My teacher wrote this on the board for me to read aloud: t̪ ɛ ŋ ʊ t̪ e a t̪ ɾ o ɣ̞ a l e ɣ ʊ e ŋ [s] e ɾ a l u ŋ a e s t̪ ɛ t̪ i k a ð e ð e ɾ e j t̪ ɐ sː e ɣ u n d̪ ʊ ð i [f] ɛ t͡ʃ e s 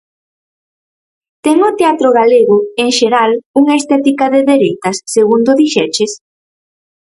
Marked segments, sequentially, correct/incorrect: incorrect, incorrect

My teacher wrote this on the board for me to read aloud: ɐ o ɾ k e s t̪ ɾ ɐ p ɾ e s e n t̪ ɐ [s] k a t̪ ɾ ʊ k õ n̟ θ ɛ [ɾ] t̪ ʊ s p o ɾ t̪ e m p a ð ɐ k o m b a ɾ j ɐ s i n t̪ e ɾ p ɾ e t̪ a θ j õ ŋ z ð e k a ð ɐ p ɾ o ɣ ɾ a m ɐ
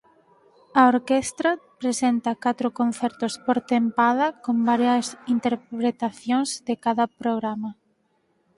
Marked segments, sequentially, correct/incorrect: incorrect, correct

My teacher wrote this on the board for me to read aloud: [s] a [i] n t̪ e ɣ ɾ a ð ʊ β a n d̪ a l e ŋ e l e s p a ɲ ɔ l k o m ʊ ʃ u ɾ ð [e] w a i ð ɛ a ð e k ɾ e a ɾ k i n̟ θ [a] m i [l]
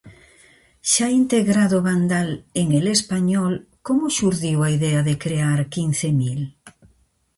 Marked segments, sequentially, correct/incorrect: incorrect, correct, incorrect, incorrect, correct

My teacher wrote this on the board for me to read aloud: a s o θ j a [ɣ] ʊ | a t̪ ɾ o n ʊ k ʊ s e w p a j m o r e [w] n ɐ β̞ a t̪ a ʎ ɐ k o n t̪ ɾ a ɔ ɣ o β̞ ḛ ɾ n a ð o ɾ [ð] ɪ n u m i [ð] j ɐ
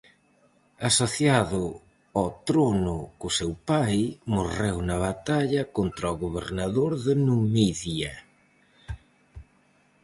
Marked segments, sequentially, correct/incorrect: incorrect, correct, correct, correct

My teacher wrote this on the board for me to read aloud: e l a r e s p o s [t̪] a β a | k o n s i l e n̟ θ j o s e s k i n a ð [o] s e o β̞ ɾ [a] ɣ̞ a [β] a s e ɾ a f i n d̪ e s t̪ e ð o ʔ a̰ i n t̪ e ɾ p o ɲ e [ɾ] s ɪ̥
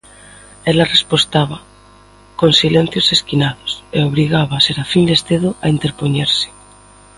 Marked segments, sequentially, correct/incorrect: correct, correct, incorrect, correct, correct

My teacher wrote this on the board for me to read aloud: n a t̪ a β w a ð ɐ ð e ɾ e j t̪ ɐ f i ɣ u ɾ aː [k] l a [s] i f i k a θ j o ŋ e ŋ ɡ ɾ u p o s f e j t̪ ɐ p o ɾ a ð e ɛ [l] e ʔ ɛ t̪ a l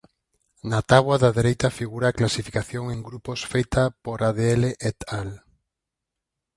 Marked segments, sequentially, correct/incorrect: correct, correct, correct

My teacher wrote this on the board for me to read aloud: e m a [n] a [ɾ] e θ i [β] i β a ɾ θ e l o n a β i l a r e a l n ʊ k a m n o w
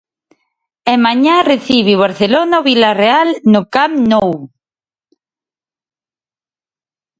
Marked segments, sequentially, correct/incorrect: incorrect, incorrect, correct

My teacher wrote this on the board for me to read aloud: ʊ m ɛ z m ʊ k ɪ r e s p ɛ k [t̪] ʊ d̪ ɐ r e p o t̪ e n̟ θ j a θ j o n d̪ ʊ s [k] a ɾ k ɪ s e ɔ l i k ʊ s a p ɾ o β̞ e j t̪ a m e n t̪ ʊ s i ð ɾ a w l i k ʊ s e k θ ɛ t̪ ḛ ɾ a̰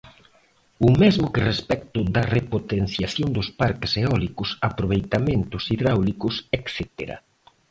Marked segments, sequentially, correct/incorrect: correct, incorrect

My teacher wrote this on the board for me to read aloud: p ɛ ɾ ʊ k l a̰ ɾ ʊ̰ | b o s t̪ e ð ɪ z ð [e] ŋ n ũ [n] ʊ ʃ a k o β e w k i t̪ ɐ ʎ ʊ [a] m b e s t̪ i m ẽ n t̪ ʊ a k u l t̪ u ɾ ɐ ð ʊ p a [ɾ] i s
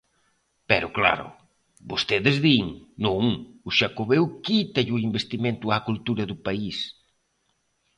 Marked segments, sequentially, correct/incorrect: incorrect, incorrect, incorrect, incorrect

